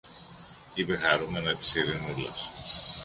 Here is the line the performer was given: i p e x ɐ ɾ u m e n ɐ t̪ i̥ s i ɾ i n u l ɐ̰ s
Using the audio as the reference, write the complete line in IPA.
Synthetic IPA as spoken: i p e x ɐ ɾ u m e n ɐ t̪ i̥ s i ɾ i n u l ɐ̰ s